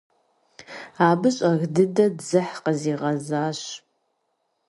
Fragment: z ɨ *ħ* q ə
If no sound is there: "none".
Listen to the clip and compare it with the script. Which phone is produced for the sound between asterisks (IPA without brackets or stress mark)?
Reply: ħ